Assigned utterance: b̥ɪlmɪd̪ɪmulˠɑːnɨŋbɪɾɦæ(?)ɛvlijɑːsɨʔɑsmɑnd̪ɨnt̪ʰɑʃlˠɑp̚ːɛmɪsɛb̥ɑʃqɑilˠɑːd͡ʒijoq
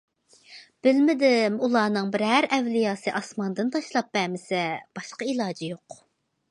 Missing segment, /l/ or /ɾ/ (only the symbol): ɾ